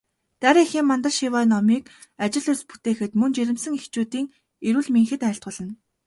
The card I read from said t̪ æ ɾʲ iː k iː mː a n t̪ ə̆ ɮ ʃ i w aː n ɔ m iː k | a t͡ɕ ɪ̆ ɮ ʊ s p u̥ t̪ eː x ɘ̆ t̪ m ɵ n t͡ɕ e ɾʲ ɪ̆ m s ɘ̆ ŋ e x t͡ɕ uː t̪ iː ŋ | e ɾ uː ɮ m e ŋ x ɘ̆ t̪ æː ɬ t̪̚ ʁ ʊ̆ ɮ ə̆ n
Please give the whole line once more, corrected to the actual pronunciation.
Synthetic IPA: t̪ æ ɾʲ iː x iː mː a n t̪ ə̆ ɮ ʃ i w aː n ɔ m iː k | a t͡ɕ ɪ̆ ɮ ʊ s p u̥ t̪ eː x ɘ̆ t̪ m ɵ n t͡ɕ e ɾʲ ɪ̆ m s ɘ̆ ŋ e x t͡ɕ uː t̪ iː ŋ | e ɾ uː ɮ m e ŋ x ɘ̆ t̪ æː ɬ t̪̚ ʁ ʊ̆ ɮ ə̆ n